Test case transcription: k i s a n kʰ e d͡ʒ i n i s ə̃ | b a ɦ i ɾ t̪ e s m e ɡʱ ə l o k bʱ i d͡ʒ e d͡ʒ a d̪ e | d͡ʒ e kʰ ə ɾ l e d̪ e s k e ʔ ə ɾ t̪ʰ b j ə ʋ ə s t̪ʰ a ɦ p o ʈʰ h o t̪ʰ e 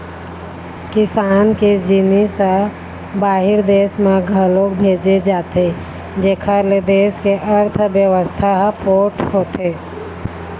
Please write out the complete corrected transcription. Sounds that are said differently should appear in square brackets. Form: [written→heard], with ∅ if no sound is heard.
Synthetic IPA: k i s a n [kʰ→k] e d͡ʒ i n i s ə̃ | b a ɦ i ɾ [t̪→d̪] e s m e ɡʱ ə l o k bʱ [i→e] d͡ʒ e d͡ʒ a [d̪→t̪] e | d͡ʒ e kʰ ə ɾ l e d̪ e s k e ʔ ə ɾ t̪ʰ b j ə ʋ ə s t̪ʰ a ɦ p o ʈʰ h o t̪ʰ e